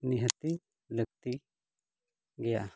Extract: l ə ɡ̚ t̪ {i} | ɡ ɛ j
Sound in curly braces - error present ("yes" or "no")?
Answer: no